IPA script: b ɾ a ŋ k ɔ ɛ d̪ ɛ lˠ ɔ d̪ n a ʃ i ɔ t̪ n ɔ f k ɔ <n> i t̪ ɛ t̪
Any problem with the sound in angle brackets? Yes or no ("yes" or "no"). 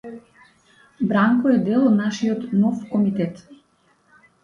yes